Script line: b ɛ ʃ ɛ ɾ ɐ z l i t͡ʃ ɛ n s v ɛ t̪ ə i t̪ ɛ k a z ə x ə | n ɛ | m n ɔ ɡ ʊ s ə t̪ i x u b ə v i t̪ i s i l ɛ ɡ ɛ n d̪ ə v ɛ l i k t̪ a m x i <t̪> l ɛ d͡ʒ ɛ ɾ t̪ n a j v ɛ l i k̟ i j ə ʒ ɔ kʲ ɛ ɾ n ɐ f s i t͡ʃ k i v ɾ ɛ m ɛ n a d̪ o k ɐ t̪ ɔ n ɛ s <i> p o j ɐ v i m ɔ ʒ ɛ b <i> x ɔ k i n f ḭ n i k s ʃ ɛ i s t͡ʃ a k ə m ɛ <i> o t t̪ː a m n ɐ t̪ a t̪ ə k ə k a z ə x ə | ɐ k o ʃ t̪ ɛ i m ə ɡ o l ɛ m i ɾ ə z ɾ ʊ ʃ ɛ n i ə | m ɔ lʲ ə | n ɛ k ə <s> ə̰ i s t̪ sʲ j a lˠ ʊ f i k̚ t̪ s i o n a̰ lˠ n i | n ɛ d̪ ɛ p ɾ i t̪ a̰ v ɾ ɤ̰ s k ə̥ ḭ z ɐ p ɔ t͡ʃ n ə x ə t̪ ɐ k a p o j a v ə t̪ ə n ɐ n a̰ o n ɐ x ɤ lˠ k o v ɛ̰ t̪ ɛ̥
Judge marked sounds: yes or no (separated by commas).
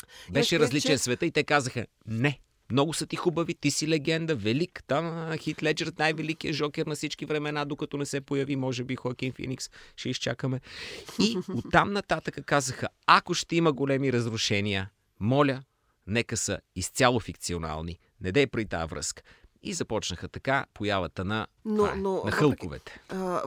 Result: yes, no, yes, yes, yes